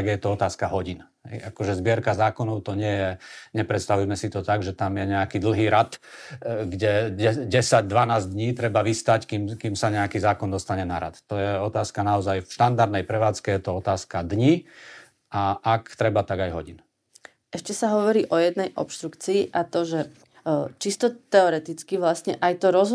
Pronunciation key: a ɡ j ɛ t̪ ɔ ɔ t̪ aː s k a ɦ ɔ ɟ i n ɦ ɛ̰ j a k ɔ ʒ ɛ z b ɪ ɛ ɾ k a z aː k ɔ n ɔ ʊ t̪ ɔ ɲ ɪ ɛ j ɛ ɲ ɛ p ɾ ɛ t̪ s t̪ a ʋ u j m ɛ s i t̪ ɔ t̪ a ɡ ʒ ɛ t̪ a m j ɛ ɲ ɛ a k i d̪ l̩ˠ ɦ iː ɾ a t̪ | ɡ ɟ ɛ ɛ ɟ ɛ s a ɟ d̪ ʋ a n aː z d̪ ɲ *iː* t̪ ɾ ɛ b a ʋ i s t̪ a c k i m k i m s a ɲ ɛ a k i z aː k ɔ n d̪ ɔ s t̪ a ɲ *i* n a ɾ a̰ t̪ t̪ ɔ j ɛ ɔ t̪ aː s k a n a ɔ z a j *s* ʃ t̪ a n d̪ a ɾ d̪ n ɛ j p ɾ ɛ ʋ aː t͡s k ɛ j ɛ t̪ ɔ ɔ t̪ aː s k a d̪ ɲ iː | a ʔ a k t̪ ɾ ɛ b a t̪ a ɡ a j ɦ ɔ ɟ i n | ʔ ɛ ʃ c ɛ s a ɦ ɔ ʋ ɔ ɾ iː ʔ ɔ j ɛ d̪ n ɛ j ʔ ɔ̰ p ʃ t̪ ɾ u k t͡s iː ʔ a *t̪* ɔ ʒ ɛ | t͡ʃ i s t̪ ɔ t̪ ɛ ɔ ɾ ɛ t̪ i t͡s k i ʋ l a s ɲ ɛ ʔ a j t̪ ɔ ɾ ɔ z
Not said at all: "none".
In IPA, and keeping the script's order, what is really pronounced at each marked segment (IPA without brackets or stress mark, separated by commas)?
iː, ɛ, f, t̪